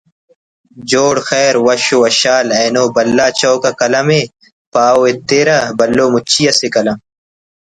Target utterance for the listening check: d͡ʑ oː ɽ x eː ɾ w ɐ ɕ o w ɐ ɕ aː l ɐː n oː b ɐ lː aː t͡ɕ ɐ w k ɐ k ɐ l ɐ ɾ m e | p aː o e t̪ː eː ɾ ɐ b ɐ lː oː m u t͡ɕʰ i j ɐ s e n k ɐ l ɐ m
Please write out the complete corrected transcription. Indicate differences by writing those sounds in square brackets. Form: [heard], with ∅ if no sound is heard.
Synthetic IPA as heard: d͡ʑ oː ɽ x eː ɾ w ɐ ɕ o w ɐ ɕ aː l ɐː n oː b ɐ lː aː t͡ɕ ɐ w k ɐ k ɐ l ɐ [∅] m e | p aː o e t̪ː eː ɾ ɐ b ɐ lː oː m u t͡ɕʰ i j ɐ s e [∅] k ɐ l ɐ m